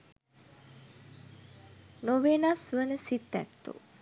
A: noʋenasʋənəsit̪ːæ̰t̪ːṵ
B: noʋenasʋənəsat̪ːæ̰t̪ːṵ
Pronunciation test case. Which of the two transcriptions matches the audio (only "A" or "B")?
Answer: A